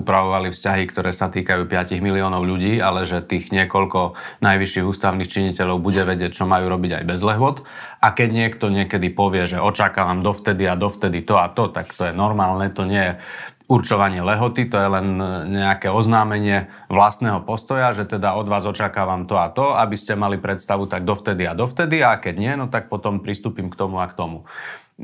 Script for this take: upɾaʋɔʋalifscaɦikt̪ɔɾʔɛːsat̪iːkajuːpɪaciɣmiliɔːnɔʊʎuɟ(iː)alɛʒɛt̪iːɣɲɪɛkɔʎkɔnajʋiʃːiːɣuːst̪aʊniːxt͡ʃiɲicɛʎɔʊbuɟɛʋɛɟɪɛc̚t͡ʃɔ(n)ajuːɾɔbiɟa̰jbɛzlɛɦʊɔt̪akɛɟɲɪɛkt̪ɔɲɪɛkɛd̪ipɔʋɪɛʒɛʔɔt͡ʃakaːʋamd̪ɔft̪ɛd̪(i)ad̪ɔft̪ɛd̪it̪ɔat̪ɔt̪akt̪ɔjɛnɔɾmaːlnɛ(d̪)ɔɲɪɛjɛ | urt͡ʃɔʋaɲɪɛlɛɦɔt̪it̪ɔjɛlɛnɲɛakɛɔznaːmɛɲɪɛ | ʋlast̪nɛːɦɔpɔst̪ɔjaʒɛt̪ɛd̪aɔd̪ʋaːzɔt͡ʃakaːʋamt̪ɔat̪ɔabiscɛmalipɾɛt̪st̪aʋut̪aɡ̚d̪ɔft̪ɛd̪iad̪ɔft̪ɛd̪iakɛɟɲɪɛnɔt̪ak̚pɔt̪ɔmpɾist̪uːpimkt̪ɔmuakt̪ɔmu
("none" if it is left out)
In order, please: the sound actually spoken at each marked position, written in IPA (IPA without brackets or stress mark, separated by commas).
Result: iː, m, i, t̪